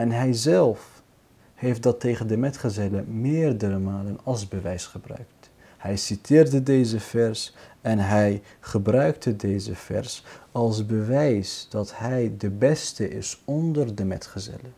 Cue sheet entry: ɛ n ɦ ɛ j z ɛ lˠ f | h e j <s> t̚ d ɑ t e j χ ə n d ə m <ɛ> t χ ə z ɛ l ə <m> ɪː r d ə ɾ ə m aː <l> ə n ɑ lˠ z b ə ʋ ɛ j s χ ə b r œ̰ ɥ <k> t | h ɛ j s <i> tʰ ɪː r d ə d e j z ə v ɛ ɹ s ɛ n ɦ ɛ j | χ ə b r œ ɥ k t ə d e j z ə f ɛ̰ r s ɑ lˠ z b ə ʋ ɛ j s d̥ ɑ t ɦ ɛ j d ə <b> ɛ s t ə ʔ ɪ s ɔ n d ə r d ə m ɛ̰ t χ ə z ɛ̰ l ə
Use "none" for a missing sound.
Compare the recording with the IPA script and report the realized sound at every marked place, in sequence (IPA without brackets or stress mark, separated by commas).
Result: f, ɛ, m, l, k, i, b